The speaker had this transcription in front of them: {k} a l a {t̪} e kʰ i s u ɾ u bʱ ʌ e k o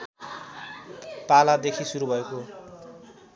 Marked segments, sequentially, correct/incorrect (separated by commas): incorrect, incorrect